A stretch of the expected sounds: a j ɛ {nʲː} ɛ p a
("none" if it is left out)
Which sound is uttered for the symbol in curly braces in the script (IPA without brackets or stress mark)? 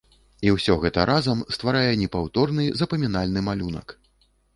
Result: nʲ